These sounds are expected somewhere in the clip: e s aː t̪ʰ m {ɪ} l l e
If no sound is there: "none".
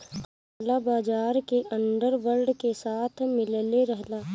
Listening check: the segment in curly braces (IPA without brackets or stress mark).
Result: ɪ